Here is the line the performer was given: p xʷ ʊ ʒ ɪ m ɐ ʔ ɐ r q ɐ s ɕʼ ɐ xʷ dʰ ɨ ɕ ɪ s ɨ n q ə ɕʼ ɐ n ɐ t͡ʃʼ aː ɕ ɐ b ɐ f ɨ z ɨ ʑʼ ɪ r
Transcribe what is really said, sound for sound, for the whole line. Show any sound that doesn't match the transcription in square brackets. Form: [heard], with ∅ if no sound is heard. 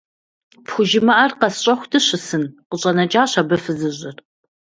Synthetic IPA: p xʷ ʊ ʒ ɪ m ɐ ʔ ɐ r q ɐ s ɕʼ ɐ xʷ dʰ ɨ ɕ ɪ s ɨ n q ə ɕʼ ɐ n ɐ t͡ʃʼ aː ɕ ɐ b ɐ f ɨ z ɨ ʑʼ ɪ r